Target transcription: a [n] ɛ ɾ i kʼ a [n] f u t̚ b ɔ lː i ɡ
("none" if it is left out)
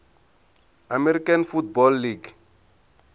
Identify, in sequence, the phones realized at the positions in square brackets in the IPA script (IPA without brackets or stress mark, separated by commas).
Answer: m, n